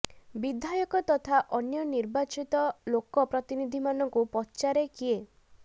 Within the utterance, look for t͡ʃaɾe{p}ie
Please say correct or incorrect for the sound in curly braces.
incorrect